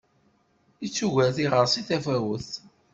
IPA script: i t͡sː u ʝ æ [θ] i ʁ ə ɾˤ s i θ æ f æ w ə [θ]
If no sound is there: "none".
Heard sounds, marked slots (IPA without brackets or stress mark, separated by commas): θ, θ